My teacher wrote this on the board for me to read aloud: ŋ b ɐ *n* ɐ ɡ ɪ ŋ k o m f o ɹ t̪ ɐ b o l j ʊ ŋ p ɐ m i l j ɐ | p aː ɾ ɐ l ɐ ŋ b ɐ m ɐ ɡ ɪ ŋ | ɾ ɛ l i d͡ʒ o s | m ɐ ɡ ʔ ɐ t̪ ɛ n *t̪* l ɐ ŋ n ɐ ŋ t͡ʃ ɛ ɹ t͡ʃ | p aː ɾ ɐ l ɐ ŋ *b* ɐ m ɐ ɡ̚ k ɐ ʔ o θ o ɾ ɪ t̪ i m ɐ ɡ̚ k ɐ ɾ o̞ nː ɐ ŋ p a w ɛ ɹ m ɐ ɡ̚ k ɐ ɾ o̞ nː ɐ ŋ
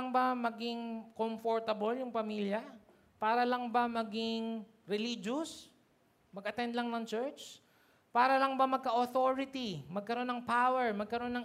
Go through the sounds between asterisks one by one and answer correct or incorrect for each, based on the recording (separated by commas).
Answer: incorrect, incorrect, correct